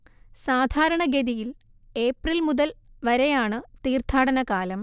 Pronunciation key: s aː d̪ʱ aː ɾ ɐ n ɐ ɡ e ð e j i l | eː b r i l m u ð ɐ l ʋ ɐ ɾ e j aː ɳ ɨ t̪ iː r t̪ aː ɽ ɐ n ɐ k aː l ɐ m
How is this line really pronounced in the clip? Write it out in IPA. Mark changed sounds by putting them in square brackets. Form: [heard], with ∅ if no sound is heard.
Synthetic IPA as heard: s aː d̪ʱ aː ɾ ɐ [ɳ] ɐ ɡ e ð [i] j i l | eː [p] r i l m u ð ɐ l ʋ ɐ ɾ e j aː ɳ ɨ t̪ iː r [t̪ʰ] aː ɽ ɐ n ɐ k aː l ɐ m